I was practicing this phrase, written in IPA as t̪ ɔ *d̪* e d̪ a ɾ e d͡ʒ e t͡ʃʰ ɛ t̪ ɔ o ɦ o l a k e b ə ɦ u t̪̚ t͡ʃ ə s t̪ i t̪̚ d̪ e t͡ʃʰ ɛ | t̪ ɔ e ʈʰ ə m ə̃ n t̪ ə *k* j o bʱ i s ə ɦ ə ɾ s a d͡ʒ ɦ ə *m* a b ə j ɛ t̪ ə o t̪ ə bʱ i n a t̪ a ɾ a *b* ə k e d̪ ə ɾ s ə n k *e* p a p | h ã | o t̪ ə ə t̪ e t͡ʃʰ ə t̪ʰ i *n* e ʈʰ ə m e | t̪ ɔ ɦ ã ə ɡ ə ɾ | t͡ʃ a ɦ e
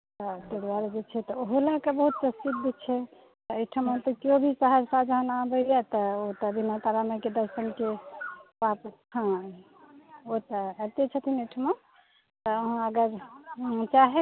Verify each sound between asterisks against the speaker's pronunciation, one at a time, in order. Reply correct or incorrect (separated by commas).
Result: incorrect, correct, incorrect, incorrect, correct, correct